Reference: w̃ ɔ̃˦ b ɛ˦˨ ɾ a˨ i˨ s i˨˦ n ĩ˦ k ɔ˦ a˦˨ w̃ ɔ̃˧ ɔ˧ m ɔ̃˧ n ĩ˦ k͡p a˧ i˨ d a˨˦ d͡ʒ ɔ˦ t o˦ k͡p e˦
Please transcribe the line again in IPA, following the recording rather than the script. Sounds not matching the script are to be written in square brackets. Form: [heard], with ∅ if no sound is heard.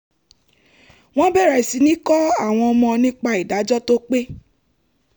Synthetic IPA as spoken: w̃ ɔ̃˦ b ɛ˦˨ ɾ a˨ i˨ s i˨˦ n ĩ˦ k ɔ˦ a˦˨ w̃ ɔ̃˧ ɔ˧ m ɔ̃˧ n ĩ˦ k͡p a˧ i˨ d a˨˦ d͡ʒ ɔ˦ t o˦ k͡p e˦